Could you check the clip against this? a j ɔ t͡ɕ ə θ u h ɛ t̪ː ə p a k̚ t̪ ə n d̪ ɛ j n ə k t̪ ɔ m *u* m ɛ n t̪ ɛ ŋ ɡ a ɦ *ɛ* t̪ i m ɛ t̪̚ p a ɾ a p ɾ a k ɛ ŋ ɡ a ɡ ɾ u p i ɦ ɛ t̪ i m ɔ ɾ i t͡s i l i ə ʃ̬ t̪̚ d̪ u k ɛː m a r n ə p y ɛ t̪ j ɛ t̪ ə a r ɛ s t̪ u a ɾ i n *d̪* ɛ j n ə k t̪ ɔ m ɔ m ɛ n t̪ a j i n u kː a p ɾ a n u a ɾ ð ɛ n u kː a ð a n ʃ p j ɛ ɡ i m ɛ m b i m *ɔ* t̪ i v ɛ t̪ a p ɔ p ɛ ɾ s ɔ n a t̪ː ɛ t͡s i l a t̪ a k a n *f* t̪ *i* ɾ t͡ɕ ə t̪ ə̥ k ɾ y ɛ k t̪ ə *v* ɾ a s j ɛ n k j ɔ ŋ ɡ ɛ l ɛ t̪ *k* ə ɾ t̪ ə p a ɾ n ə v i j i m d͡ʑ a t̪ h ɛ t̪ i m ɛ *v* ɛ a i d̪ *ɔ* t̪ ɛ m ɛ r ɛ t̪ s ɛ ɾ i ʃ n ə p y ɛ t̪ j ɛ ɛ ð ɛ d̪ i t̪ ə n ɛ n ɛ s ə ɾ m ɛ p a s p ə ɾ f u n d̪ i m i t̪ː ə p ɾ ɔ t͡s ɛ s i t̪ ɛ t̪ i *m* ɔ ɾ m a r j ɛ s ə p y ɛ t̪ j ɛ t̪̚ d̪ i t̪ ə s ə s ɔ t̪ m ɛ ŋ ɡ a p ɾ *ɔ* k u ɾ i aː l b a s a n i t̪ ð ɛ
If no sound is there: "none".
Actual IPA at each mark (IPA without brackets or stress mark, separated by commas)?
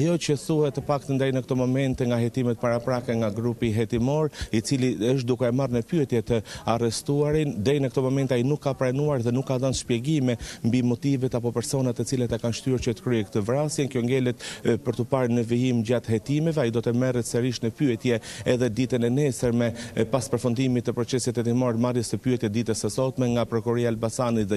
ɔ, ɛ, d̪, ɔ, ʃ, y, v, p, v, ɔ, m, ɔ